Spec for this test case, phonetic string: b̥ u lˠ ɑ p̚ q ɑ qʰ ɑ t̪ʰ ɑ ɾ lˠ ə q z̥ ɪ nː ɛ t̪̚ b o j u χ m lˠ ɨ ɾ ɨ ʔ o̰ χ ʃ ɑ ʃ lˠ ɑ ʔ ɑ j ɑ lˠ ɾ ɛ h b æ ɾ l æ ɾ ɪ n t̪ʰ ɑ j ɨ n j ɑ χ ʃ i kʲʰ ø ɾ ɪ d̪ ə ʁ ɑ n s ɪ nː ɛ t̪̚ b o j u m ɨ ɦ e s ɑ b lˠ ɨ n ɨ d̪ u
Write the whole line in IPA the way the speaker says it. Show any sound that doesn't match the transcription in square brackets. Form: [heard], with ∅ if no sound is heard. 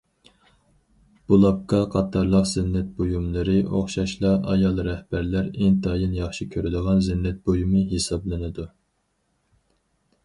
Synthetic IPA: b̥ u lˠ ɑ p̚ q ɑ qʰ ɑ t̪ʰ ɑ ɾ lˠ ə q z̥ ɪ nː ɛ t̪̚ b o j u [∅] m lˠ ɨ ɾ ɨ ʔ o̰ χ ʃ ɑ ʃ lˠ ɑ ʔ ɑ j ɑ lˠ ɾ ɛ h b æ ɾ l æ ɾ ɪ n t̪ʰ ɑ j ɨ n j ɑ χ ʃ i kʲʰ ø ɾ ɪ d̪ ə ʁ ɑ n [z] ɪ nː ɛ t̪̚ b o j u m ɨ ɦ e s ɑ b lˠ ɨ n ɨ d̪ u